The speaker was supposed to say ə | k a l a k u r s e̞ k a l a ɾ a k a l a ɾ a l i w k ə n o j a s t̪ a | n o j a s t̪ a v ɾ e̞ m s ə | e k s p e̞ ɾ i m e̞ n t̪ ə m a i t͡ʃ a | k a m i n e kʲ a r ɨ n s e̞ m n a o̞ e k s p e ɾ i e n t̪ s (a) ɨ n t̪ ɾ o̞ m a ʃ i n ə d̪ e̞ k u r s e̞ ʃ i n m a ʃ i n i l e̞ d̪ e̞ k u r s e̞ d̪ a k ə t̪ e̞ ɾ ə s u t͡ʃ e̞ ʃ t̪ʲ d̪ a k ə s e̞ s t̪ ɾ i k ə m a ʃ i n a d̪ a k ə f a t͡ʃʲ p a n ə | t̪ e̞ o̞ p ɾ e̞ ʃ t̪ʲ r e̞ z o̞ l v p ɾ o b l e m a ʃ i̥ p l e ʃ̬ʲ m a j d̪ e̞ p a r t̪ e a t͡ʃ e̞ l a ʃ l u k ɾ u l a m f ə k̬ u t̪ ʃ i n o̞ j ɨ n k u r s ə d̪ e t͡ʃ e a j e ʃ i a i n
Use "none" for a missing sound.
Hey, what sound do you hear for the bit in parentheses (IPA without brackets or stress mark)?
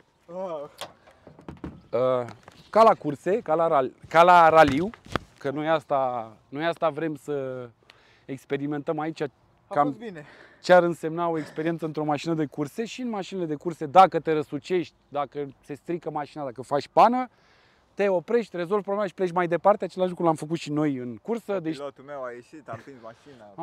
ə